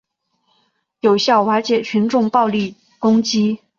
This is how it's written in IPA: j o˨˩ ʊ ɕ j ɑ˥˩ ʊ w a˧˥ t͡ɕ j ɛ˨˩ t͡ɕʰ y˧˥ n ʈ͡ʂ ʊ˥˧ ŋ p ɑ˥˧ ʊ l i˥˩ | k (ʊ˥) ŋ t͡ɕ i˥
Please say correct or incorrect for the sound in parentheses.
correct